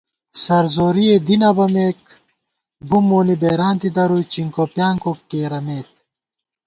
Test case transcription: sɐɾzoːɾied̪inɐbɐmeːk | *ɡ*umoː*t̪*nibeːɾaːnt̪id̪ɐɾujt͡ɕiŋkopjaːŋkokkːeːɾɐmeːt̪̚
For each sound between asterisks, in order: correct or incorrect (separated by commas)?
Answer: incorrect, incorrect